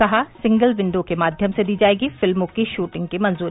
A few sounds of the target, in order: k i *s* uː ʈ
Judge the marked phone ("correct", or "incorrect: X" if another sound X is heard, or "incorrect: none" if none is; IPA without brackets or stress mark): incorrect: ʃ